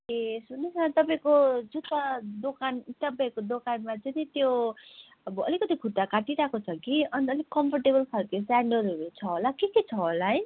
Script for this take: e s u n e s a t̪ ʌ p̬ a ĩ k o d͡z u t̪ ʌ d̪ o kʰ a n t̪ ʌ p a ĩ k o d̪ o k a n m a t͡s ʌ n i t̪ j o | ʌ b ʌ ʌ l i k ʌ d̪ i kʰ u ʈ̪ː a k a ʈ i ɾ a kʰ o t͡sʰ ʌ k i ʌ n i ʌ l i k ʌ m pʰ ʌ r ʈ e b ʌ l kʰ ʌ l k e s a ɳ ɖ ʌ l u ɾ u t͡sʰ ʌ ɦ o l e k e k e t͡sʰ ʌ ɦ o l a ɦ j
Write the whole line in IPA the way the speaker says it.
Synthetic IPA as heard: e s u n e s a t̪ ʌ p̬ a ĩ k o d͡z u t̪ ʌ d̪ o k a n t̪ ʌ p a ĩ k o d̪ o k a n m a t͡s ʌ n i t̪ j o | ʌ b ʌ ʌ l i k ʌ t̪ i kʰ u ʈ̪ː a k a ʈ i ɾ a k o t͡sʰ ʌ k i ʌ n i ʌ l i k ʌ m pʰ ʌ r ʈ e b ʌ l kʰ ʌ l k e s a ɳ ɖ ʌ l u ɾ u t͡sʰ ʌ ɦ o l a k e k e t͡sʰ ʌ ɦ o l a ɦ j